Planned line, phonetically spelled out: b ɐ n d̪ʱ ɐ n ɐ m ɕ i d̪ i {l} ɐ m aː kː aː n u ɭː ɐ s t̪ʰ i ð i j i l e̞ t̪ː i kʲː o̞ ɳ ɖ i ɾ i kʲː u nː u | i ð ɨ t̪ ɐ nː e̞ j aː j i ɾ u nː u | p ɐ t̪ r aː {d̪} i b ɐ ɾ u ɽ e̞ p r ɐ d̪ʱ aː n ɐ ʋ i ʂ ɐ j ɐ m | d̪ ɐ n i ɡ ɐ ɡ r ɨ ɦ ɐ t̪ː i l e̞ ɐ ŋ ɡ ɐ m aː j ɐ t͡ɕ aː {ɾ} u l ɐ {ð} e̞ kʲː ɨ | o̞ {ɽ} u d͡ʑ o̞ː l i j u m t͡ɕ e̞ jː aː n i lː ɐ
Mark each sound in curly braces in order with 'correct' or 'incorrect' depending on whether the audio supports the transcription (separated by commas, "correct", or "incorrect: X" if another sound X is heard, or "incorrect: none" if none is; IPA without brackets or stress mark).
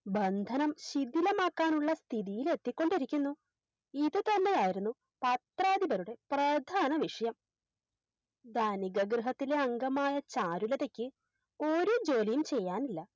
correct, correct, correct, correct, incorrect: ɾ